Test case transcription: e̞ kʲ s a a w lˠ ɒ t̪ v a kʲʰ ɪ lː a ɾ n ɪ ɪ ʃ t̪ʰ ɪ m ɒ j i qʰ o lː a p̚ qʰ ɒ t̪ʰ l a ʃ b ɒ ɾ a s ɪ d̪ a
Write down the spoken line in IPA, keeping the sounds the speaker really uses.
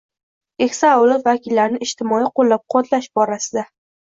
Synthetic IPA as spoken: e̞ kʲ s a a w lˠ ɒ t̪ v a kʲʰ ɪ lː a ɾ n ɪ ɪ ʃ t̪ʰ ɪ m ɒ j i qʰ o lː a p̚ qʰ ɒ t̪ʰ l a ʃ b ɒ ɾ a s ɪ d̪ a